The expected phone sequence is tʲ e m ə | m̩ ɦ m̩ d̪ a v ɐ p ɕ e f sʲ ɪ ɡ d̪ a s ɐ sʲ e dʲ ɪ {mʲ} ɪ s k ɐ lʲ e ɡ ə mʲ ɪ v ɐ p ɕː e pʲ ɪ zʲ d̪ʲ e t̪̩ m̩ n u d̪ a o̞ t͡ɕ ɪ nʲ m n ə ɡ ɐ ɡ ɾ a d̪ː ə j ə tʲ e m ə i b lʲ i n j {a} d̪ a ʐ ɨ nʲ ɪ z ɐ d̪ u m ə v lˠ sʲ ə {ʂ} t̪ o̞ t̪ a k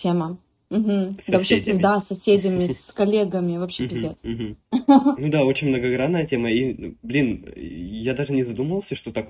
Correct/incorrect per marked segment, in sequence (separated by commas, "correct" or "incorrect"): correct, correct, correct